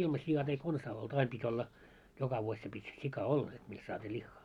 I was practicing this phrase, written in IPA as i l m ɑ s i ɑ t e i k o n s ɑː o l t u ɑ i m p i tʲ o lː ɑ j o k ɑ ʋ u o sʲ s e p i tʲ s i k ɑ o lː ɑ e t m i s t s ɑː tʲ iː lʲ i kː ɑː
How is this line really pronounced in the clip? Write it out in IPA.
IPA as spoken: i l m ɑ s i ɑ t e i k o n s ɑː o l t u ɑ i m p i tʲ o lː ɑ j o k ɑ ʋ u o sʲ s e p i tʲ s i k ɑ o lː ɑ e t m i s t s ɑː tʲ iː lʲ i xː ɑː